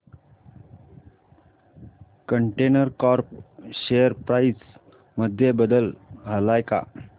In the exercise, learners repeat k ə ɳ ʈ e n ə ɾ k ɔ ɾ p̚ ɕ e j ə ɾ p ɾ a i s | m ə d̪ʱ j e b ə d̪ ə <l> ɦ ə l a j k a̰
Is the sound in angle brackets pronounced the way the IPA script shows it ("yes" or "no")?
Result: yes